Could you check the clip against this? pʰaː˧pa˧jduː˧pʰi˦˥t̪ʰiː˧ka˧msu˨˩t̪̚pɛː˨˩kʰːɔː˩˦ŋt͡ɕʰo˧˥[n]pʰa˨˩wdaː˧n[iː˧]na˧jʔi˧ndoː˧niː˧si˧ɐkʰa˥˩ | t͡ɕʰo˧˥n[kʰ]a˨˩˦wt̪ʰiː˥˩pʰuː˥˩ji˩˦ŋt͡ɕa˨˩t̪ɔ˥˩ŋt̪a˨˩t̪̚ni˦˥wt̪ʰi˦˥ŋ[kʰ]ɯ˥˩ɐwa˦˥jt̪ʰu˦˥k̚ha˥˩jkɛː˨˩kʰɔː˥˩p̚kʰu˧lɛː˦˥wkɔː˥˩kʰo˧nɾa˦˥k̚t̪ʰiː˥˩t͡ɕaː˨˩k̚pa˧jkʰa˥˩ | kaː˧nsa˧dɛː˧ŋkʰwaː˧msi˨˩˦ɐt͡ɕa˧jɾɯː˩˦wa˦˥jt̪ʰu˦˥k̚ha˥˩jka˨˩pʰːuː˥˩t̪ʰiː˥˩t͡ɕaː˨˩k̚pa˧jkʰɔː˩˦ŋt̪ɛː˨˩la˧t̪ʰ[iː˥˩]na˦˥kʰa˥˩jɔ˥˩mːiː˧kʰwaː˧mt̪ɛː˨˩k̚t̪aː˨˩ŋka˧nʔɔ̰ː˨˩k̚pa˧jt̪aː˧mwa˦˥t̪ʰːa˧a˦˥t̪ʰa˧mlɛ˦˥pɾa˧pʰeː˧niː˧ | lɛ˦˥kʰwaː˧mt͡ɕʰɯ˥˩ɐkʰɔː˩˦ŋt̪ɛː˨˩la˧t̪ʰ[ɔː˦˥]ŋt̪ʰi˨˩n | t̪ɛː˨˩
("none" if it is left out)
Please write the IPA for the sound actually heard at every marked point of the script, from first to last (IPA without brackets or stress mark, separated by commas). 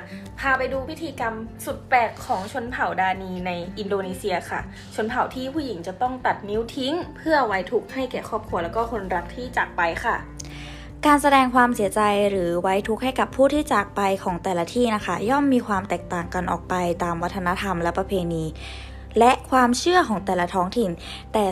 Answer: n, iː˧, pʰ, pʰ, iː˥˩, ɔː˦˥